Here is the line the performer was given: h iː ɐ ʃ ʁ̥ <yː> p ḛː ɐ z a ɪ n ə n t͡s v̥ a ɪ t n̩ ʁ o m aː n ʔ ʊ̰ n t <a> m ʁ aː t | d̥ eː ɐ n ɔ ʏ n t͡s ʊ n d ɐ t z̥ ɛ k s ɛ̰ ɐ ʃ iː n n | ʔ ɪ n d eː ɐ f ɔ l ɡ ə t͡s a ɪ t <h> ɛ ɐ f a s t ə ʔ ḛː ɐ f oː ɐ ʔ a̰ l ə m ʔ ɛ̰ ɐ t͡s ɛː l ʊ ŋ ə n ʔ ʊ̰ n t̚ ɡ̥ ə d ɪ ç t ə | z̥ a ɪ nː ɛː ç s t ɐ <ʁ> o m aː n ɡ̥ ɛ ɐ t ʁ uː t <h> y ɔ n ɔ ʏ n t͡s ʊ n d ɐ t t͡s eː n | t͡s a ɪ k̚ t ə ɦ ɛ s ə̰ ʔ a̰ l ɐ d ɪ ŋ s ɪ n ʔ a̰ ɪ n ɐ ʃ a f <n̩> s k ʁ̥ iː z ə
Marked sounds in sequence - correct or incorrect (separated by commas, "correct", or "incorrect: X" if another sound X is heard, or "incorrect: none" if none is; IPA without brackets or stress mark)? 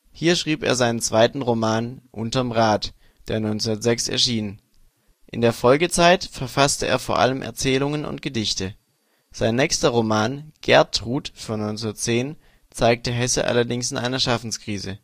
incorrect: iː, incorrect: ɐ, incorrect: f, correct, incorrect: f, correct